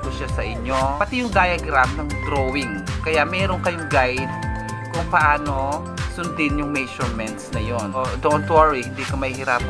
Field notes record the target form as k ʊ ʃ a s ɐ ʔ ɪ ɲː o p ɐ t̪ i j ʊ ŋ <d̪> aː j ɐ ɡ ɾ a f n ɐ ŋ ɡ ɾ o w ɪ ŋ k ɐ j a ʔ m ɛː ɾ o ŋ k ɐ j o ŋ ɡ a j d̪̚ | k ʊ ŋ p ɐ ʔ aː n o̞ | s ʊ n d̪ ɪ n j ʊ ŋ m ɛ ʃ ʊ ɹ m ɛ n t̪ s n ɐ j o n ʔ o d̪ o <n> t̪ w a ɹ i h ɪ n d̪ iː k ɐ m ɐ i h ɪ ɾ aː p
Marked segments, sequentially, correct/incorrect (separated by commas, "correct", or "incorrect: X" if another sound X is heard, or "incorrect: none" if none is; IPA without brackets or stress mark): correct, correct